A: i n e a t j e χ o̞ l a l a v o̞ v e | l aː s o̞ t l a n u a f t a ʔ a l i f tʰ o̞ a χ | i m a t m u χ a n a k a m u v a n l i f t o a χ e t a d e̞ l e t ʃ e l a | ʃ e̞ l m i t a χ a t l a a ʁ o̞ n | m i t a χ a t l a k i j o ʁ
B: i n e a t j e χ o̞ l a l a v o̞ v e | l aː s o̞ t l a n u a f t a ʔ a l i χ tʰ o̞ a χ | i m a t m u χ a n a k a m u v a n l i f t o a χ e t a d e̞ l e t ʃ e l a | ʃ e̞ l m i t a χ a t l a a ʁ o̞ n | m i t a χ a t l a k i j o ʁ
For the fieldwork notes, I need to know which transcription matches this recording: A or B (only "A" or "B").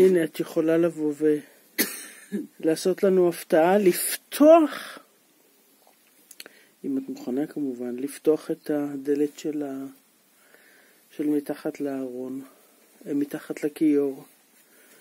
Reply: A